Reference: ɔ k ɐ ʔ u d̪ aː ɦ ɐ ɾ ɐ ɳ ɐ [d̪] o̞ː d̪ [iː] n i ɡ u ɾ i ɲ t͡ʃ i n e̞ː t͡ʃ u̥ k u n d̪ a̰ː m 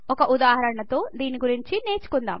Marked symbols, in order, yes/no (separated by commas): no, yes